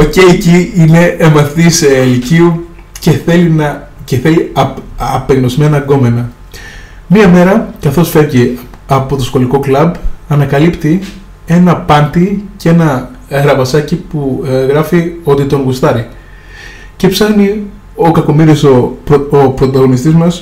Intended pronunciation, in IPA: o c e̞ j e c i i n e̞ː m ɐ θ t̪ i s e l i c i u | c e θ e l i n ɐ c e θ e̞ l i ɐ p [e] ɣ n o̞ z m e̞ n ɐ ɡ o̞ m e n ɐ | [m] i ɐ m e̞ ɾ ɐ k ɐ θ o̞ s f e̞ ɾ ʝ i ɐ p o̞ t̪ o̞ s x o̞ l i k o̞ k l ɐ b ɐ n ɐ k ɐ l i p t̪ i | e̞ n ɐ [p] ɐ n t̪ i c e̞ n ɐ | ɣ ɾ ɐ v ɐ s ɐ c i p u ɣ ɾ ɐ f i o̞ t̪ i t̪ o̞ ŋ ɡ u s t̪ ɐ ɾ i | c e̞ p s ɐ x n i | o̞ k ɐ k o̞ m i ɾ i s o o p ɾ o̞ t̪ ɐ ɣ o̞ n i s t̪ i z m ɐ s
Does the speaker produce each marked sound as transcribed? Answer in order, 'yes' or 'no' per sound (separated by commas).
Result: yes, yes, yes